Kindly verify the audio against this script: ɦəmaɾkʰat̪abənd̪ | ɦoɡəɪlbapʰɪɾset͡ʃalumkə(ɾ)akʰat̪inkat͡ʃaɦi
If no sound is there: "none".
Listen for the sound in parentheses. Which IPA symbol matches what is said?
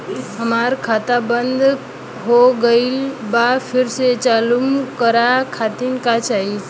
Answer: ɾ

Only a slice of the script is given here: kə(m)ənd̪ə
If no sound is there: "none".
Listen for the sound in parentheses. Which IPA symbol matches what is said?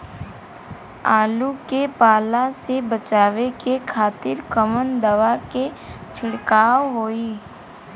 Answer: m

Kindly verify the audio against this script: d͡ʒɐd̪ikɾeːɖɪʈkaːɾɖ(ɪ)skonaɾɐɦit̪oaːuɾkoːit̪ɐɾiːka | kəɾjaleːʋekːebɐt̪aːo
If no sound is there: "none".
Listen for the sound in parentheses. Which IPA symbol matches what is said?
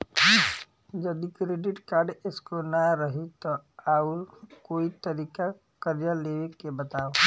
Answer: ɪ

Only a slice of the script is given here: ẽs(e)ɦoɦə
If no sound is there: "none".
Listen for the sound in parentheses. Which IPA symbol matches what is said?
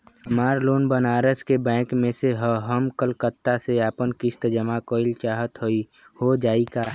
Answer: e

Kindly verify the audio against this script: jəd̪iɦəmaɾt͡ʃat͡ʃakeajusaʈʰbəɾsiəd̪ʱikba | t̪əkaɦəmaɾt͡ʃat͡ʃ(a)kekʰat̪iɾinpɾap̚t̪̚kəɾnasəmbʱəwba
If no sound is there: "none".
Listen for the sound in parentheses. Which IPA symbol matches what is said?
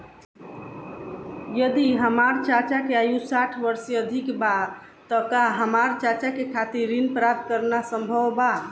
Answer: a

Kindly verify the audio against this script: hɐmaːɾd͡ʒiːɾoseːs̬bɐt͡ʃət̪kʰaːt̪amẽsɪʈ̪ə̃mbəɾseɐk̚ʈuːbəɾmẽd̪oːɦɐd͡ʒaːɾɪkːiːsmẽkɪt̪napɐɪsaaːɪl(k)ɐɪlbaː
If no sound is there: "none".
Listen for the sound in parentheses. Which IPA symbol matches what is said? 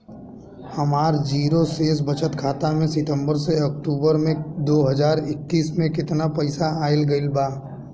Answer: ɡ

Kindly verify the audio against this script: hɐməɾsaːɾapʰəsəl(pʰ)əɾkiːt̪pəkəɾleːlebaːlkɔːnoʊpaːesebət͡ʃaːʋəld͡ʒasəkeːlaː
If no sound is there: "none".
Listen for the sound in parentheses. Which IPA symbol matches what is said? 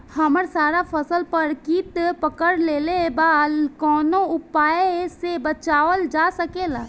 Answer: p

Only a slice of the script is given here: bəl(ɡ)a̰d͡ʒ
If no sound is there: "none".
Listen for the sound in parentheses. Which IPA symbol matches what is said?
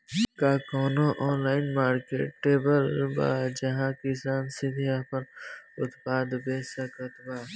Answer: b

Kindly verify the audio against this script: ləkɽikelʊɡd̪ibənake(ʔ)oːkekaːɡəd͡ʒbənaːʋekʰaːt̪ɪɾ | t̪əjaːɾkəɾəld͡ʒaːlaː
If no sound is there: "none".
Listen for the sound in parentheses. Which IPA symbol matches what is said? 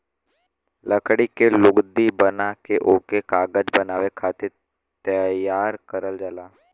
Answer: ʔ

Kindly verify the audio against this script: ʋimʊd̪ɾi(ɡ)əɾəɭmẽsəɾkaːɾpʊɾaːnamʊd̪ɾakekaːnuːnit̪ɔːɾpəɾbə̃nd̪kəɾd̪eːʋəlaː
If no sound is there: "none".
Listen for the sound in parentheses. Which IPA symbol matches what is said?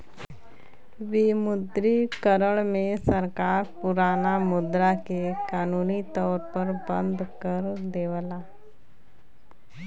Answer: k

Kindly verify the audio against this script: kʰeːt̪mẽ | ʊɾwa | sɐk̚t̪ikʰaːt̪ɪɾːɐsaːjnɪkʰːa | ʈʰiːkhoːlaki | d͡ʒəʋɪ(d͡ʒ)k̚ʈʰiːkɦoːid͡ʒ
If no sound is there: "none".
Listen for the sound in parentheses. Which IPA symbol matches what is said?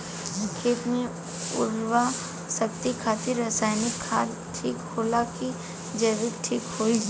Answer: none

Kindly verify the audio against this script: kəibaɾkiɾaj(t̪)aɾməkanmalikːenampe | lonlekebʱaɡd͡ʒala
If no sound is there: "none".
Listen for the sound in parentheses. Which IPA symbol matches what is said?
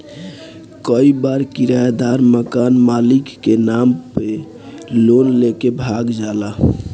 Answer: d̪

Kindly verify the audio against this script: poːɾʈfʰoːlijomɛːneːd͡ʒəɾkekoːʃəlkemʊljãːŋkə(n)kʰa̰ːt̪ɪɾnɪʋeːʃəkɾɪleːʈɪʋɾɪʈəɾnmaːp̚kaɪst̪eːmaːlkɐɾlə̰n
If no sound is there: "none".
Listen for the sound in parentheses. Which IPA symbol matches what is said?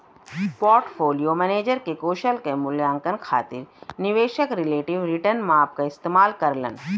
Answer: n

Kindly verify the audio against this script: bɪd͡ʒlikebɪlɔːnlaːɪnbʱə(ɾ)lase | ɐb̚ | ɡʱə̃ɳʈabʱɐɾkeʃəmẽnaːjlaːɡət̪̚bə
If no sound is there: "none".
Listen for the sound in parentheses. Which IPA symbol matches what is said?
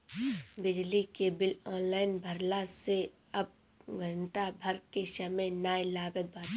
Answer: ɾ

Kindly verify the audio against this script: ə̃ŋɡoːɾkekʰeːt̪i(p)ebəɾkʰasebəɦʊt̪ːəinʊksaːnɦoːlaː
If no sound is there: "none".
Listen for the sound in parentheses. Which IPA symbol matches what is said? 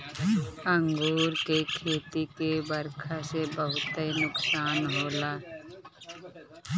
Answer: k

